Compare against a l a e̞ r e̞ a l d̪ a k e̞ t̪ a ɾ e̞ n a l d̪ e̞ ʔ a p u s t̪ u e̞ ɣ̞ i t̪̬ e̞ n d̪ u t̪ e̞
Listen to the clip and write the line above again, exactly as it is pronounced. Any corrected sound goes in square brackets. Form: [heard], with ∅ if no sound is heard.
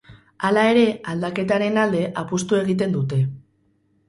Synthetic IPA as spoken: a l a e̞ [ɾ] e̞ a l d̪ a k e̞ t̪ a ɾ e̞ n a l d̪ e̞ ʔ a p u s t̪ u e̞ ɣ̞ i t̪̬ e̞ n d̪ u t̪ e̞